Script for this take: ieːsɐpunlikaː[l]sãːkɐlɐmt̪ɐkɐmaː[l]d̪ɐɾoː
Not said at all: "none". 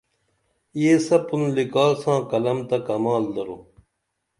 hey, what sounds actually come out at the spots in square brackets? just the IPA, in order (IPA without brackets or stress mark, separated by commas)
l, l